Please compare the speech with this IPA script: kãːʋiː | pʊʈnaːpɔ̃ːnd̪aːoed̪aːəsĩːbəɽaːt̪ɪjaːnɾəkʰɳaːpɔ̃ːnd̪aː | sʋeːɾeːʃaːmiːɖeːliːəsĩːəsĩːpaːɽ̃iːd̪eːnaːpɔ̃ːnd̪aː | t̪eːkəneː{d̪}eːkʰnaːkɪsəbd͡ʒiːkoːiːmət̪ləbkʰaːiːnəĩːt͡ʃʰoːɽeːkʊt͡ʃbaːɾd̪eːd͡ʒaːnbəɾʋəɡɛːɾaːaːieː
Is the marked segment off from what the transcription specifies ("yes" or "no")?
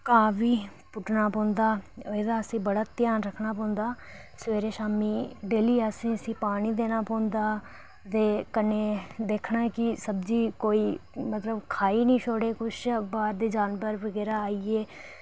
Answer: no